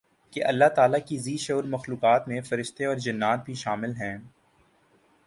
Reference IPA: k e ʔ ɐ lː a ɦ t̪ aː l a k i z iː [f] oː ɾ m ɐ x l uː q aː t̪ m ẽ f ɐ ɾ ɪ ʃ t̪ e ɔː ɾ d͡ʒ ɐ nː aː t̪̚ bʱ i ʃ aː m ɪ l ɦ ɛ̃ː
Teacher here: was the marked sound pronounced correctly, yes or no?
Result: no